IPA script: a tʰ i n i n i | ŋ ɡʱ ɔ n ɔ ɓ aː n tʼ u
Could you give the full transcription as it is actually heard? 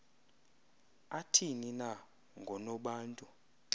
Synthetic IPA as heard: a tʰ i n i n a | ŋ ɡʱ ɔ n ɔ ɓ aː n tʼ u